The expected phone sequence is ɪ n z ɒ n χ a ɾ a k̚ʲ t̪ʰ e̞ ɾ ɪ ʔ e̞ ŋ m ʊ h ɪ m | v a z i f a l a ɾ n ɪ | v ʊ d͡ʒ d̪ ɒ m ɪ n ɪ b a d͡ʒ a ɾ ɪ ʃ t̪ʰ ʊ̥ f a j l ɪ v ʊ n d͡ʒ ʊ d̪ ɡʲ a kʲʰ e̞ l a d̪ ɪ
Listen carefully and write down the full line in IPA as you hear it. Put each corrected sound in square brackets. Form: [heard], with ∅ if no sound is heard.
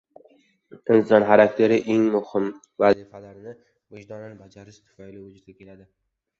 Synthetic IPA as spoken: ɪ n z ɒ n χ a ɾ a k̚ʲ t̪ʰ e̞ ɾ ɪ ʔ e̞ ŋ m ʊ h ɪ m | v a z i f a l a ɾ n ɪ | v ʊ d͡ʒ d̪ ɒ [n] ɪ n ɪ b a d͡ʒ a ɾ ɪ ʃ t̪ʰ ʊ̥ f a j l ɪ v ʊ [∅] d͡ʒ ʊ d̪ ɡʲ a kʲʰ e̞ l a d̪ ɪ

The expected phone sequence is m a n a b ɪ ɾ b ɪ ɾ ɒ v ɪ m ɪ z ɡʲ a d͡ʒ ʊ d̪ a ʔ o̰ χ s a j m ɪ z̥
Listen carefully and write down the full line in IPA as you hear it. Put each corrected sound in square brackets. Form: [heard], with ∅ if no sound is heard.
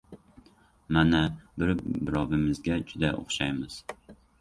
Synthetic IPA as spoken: m a n a b ɪ ɾ b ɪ ɾ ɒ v ɪ m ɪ z ɡʲ a d͡ʒ ʊ d̪ a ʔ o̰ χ [ʃ] a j m ɪ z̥

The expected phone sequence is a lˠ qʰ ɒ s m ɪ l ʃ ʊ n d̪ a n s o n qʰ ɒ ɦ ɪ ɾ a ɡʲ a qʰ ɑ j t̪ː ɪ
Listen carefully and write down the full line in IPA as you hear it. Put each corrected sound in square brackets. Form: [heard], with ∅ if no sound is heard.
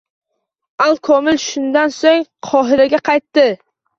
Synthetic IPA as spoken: a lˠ [kʰ] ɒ [∅] m ɪ l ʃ ʊ n d̪ a n s o [ŋ] qʰ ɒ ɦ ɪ ɾ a ɡʲ a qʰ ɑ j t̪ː ɪ

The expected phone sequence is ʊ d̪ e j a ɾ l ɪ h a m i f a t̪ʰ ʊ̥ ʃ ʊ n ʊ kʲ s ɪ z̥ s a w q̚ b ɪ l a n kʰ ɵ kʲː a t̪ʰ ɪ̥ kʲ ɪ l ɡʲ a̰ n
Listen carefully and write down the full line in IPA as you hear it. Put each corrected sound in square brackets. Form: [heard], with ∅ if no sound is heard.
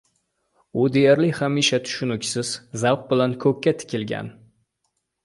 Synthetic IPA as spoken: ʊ d̪ e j a ɾ l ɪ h a m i [ʃ] a t̪ʰ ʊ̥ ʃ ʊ n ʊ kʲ s ɪ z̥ [z] a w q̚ b ɪ l a n kʰ ɵ kʲː a t̪ʰ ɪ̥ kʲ ɪ l ɡʲ a̰ n

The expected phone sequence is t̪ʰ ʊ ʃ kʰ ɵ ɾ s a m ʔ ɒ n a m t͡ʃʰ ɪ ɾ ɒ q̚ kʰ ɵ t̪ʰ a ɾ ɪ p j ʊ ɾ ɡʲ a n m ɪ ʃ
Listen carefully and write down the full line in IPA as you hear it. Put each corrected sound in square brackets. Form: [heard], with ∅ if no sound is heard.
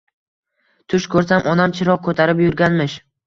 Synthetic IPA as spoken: t̪ʰ ʊ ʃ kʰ ɵ ɾ s a m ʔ ɒ n a m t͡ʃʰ ɪ ɾ ɒ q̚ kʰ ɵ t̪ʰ a ɾ ɪ p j ʊ ɾ ɡʲ a n m ɪ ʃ

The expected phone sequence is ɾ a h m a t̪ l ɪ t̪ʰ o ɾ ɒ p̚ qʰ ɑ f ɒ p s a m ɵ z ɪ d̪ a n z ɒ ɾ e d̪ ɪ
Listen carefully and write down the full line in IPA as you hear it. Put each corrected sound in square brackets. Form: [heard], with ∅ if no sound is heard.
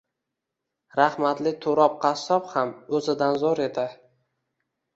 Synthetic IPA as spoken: ɾ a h m a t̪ l ɪ t̪ʰ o ɾ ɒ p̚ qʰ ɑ [s] ɒ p [h] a m ɵ z ɪ d̪ a n z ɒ ɾ e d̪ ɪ

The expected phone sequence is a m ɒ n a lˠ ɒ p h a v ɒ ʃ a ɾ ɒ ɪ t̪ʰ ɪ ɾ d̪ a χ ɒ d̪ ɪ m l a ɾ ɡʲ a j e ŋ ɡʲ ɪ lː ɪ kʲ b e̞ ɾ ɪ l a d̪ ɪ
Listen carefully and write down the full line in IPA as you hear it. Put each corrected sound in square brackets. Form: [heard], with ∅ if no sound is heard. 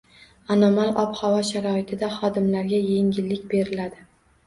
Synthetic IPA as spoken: a [n] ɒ [m] a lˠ ɒ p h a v ɒ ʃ a ɾ ɒ ɪ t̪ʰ ɪ [∅] d̪ a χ ɒ d̪ ɪ m l a ɾ ɡʲ a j e ŋ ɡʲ ɪ lː ɪ kʲ b e̞ ɾ ɪ l a d̪ ɪ

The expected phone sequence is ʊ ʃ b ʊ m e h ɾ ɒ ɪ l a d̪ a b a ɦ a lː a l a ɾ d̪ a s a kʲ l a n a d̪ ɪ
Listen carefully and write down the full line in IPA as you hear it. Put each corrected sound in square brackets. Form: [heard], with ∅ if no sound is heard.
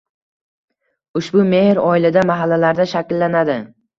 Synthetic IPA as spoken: ʊ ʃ b ʊ m e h ɾ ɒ ɪ l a d̪ a [m] a ɦ a lː a l a ɾ d̪ a [ʃ] a kʲ [lː] a n a d̪ ɪ

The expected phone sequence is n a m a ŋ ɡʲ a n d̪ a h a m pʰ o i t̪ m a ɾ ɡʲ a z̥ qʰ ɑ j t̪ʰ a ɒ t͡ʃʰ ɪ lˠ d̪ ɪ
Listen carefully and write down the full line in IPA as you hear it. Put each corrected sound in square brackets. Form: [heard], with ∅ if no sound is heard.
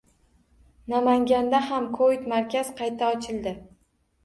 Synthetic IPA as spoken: n a m a ŋ ɡʲ a n d̪ a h a m [kʰ] o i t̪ m a ɾ [kʲ] a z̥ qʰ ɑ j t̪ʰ a ɒ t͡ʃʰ ɪ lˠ d̪ ɪ

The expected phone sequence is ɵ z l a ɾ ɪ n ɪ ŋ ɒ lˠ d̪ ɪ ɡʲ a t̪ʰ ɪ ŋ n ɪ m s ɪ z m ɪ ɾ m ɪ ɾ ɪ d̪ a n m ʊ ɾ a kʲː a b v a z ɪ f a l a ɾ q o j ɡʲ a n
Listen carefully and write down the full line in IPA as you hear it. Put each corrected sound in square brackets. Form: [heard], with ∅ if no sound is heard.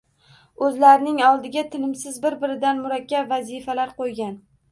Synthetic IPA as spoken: ɵ z l a ɾ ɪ n ɪ ŋ ɒ lˠ d̪ ɪ ɡʲ a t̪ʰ ɪ [∅] n ɪ m s ɪ z [b] ɪ ɾ [b] ɪ ɾ ɪ d̪ a n m ʊ ɾ a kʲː a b v a z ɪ f a l a ɾ q o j ɡʲ a n

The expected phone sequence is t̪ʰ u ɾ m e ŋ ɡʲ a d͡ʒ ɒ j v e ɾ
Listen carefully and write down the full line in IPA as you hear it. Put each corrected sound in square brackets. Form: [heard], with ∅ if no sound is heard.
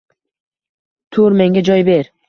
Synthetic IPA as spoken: t̪ʰ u ɾ m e ŋ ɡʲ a d͡ʒ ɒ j [b] e ɾ

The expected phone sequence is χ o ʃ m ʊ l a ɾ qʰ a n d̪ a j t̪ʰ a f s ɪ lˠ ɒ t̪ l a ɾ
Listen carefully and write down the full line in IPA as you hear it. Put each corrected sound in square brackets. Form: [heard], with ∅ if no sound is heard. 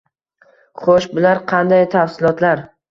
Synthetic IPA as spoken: χ o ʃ [b] ʊ l a ɾ qʰ [ɑ] n d̪ a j t̪ʰ a f s ɪ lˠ ɒ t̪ l a ɾ

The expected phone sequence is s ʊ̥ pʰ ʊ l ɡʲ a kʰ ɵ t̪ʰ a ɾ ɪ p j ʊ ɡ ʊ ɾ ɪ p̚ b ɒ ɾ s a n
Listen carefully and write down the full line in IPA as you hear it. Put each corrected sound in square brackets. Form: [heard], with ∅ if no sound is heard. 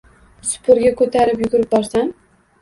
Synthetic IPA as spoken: s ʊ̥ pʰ ʊ [ɾ] ɡʲ a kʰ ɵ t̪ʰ a ɾ ɪ p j ʊ ɡ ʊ ɾ ɪ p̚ b ɒ ɾ s a n

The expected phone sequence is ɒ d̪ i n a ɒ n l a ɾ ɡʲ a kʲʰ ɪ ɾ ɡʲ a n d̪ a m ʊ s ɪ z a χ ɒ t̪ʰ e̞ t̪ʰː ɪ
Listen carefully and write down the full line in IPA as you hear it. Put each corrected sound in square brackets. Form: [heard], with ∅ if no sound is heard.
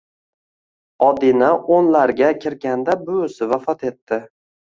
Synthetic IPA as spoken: ɒ d̪ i n a [o] n l a ɾ ɡʲ a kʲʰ ɪ ɾ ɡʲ a n d̪ a [b] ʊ s ɪ [v] a [f] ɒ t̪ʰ e̞ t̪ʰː ɪ

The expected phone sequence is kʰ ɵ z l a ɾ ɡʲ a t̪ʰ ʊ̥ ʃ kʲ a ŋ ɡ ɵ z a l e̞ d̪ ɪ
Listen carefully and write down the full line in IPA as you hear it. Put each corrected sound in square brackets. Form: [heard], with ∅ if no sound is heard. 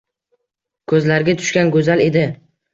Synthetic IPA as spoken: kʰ ɵ z l a ɾ ɡʲ a t̪ʰ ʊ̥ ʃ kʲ a [n] ɡ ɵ z a l e̞ d̪ ɪ

